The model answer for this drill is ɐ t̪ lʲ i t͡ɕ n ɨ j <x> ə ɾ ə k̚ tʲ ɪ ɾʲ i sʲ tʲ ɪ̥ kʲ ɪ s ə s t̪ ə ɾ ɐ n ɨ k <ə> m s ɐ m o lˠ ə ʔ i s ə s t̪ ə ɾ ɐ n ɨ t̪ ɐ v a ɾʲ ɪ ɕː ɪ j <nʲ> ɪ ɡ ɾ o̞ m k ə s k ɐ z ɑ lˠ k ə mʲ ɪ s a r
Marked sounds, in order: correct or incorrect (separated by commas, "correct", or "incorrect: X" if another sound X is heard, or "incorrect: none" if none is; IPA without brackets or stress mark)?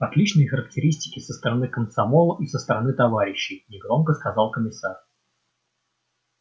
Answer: correct, correct, correct